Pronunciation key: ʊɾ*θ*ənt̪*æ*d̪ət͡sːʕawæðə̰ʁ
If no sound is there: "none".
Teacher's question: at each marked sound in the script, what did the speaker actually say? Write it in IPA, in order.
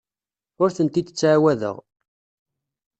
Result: θ, i

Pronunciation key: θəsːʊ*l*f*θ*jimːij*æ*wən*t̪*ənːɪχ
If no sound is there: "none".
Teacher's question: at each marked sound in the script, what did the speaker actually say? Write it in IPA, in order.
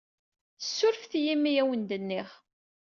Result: ɾ, θ, æ, d̪

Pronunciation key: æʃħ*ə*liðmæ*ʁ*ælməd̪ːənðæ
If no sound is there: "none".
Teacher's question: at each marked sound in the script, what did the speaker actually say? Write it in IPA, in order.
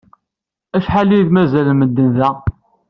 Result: a, z

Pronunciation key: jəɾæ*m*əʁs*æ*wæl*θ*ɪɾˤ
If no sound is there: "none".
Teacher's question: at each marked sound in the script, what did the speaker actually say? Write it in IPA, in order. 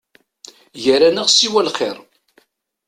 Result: n, i, χ

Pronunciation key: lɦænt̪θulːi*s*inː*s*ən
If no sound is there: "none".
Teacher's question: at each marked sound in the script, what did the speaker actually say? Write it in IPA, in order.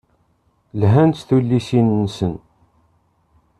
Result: s, s

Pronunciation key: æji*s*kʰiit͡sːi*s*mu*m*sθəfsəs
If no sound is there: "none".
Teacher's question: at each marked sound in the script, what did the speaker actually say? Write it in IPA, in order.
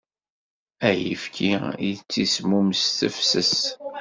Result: f, s, m

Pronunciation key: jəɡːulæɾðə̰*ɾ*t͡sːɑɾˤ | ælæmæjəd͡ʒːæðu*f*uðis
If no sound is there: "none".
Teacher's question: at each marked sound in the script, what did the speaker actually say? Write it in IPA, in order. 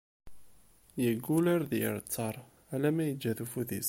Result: ɾ, f

